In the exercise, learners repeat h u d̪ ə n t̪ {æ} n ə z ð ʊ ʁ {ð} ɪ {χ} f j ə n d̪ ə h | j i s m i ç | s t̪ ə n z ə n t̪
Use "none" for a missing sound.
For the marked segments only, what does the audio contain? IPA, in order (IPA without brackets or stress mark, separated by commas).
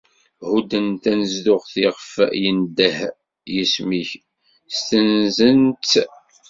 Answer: æ, θ, ʁ